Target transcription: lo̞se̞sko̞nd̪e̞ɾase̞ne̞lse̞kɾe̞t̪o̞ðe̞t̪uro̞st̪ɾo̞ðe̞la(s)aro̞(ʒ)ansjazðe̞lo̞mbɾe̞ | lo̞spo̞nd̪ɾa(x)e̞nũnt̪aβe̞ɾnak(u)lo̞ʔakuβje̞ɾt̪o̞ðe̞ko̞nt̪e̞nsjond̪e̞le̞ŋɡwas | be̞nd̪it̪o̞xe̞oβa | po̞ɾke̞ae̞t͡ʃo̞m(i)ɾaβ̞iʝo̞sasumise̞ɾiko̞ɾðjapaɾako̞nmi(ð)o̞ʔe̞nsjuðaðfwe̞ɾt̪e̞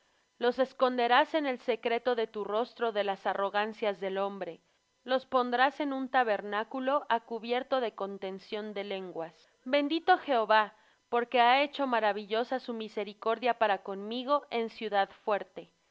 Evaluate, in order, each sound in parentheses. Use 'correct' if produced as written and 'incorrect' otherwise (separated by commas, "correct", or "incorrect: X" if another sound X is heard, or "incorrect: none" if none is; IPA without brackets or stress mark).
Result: correct, incorrect: ɣ, incorrect: s, correct, incorrect: a, incorrect: ɣ